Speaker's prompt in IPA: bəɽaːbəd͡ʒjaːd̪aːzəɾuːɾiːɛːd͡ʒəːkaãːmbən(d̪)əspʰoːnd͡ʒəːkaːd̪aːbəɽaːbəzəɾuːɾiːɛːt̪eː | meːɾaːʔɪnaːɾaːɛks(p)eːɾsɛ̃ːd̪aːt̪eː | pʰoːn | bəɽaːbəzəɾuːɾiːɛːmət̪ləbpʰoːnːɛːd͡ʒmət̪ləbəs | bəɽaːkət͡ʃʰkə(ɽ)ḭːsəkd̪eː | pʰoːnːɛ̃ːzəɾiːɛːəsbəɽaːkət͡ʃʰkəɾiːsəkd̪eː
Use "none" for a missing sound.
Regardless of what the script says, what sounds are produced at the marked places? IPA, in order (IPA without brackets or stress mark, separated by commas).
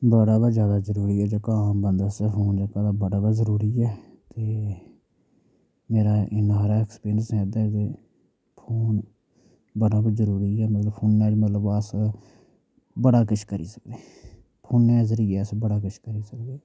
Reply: d̪, p, ɾ